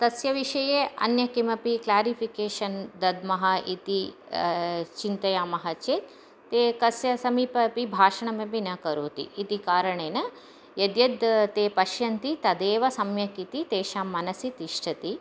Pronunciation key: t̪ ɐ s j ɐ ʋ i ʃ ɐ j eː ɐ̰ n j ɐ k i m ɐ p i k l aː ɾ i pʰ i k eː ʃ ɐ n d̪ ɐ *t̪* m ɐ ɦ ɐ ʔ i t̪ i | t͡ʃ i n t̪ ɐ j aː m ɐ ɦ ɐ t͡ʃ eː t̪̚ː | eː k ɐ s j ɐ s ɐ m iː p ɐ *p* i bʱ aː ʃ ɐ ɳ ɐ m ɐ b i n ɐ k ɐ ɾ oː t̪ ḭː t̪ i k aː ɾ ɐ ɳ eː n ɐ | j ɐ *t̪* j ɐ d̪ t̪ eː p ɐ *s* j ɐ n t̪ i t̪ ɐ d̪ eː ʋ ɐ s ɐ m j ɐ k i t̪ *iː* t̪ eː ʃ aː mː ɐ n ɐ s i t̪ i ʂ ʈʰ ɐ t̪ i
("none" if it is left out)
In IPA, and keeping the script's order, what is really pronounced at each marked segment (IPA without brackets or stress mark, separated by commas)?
d̪, p, d̪, ʃ, i